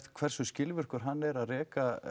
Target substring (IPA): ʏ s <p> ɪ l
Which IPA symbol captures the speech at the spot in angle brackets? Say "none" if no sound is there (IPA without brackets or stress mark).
c